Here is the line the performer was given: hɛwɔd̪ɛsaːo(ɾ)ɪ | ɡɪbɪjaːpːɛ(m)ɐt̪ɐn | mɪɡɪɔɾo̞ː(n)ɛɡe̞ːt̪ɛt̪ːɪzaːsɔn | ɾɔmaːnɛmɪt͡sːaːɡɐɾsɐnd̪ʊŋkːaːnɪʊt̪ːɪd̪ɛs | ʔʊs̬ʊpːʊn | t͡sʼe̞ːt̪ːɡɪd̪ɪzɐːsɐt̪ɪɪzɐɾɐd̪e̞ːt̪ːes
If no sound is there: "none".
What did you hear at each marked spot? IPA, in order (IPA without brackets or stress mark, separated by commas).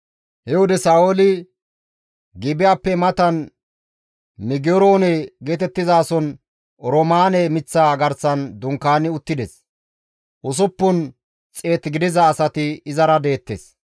l, m, n